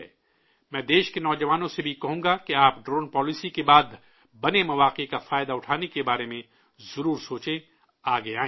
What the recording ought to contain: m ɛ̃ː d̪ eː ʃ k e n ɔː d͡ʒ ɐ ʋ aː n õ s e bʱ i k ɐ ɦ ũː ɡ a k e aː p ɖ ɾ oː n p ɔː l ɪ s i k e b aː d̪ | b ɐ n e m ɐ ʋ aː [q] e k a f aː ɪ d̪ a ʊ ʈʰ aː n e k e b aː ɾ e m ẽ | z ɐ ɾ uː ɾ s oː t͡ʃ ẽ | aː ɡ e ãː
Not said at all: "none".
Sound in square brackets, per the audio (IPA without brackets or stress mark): q